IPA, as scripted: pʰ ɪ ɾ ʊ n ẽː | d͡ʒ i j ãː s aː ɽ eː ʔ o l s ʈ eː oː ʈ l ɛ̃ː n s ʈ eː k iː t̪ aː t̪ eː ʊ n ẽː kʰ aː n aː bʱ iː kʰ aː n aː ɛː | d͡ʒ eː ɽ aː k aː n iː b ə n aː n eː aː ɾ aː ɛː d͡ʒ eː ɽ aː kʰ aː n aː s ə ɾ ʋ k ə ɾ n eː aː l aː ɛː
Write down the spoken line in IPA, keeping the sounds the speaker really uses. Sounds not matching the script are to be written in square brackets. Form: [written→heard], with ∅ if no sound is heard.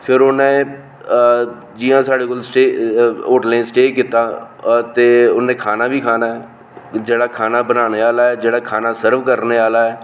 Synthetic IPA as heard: pʰ ɪ ɾ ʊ n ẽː | d͡ʒ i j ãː s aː ɽ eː [ʔ→k] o l s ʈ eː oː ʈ l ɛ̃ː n s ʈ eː k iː t̪ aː t̪ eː ʊ n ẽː kʰ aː n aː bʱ iː kʰ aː n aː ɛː | d͡ʒ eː ɽ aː [k→kʰ] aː n [iː→aː] b ə n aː n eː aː [ɾ→l] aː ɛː d͡ʒ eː ɽ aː kʰ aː n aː s ə ɾ ʋ k ə ɾ n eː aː l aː ɛː